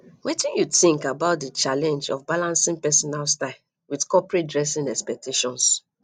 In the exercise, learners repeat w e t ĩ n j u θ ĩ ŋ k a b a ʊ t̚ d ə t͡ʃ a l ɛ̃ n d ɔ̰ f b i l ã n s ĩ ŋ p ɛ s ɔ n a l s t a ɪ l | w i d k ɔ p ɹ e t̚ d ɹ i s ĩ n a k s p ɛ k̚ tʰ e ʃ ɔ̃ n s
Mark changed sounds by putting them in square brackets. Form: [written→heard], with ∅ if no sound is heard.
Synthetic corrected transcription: w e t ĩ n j u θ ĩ ŋ k a b a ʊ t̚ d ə t͡ʃ a l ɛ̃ n [d→d͡ʒ] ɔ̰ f b [i→a] l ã n s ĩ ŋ p ɛ s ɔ n a l s t a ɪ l | w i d k ɔ p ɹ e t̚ d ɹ [i→ɛ] s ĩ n [a→ɛ] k s p ɛ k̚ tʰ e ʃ ɔ̃ n s